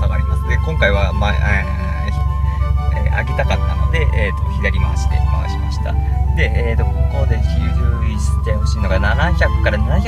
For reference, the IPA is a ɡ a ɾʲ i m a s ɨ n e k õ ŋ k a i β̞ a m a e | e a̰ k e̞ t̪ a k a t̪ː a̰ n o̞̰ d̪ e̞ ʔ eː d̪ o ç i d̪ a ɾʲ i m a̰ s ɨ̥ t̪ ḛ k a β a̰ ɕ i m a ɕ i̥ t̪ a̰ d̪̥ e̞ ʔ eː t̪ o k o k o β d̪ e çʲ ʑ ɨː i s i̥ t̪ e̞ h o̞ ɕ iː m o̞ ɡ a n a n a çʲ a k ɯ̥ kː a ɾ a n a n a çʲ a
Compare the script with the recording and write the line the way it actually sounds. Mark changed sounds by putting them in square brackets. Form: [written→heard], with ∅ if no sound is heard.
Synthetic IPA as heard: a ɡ a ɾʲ i m a s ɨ n e k õ ŋ k a i β̞ a m a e | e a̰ k e̞ t̪ a k a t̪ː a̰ n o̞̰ d̪ e̞ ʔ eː [d̪→t̪] o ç i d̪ a ɾʲ i m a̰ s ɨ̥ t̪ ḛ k a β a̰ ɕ i m a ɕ i̥ t̪ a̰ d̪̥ e̞ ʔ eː t̪ o k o k o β d̪ e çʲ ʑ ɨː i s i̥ t̪ e̞ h o̞ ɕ iː [m→n] o̞ ɡ a n a n a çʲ a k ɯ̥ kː a ɾ a n a n a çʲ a